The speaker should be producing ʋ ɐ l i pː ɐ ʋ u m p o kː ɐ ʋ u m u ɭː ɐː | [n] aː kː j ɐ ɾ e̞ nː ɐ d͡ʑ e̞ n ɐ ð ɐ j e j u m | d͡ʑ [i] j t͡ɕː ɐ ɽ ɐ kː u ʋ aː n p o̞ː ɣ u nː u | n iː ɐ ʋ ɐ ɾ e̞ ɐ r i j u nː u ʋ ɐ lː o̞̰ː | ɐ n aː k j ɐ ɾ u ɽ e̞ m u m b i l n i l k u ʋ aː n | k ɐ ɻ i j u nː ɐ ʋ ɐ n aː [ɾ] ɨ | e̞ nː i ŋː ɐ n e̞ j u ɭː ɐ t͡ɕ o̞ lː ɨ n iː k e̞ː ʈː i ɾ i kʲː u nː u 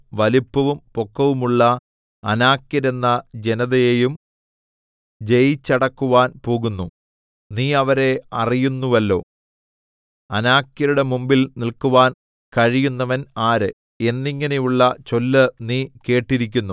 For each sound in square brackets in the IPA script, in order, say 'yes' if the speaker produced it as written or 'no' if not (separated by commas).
yes, no, yes